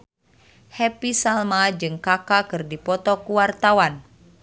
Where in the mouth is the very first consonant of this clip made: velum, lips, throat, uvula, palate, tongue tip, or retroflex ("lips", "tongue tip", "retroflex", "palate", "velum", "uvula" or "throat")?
throat